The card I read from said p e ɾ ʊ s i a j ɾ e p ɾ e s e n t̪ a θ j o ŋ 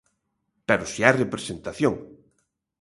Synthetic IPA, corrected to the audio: p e ɾ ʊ s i a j r e p ɾ e s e n t̪ a θ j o ŋ